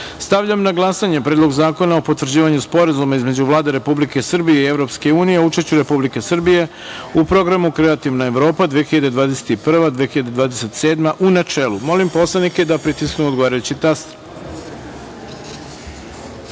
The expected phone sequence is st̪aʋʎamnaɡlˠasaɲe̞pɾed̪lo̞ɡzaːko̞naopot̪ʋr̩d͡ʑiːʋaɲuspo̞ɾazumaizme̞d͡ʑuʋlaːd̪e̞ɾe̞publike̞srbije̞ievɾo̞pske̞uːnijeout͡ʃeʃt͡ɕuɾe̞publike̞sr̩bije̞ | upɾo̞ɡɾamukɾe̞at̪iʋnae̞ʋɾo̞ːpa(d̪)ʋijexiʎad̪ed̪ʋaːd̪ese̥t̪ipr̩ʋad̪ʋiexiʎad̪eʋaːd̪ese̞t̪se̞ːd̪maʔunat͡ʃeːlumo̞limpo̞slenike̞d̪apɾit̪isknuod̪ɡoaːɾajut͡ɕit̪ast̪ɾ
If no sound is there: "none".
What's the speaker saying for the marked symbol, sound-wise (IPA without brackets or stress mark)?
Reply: d̪